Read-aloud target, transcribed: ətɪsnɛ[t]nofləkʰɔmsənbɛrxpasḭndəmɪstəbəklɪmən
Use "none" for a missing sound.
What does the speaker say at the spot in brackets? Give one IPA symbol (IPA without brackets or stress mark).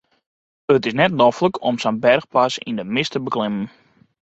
t